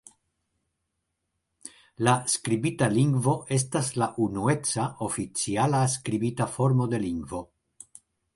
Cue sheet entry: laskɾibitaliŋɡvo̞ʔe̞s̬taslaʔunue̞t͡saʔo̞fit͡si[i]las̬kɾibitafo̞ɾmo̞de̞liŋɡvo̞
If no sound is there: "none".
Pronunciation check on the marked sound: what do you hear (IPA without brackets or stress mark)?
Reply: a